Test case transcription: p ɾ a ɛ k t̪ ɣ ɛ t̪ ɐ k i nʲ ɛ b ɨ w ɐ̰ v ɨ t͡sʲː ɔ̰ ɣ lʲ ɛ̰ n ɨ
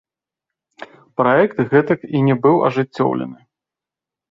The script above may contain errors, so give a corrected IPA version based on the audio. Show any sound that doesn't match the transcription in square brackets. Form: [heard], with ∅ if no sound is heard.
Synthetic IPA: p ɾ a ɛ k t̪ ɣ ɛ t̪ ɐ k i nʲ ɛ b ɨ w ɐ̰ [ʐ] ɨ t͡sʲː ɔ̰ [w] lʲ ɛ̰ n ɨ